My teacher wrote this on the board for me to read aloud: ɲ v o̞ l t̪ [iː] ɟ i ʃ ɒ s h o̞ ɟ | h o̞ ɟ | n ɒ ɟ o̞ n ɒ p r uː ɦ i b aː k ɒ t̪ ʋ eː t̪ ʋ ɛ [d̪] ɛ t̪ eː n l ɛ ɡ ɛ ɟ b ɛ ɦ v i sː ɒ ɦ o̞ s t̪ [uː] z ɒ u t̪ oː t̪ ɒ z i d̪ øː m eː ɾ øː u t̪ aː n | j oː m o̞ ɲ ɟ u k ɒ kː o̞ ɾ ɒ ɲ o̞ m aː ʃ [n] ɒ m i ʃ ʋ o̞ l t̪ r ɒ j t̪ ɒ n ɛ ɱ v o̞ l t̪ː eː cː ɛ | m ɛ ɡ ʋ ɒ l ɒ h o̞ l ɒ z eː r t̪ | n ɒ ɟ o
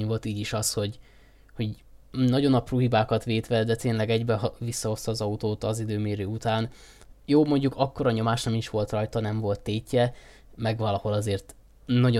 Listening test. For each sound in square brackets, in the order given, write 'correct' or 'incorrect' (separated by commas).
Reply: correct, correct, incorrect, correct